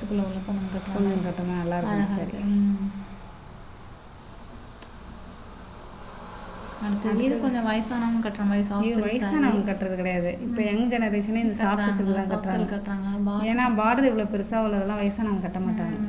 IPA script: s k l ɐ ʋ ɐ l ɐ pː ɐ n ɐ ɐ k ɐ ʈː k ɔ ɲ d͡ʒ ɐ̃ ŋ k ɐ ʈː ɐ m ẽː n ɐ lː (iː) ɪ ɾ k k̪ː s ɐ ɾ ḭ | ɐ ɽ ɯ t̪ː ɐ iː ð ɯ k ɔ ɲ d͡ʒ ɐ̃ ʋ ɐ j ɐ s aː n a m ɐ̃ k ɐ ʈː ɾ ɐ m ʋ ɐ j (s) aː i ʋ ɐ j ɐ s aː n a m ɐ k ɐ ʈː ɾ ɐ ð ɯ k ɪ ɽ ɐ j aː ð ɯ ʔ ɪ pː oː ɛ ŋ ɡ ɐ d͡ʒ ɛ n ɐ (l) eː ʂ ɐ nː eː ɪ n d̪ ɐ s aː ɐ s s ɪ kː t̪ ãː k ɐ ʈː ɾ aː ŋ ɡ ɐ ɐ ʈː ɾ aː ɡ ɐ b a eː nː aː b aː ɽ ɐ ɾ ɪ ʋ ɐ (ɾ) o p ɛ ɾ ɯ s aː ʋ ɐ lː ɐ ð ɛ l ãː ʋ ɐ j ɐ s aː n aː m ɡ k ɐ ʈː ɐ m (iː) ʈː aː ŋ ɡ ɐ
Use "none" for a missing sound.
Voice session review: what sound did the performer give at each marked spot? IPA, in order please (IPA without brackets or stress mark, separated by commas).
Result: aː, s, ɾ, ɭ, aː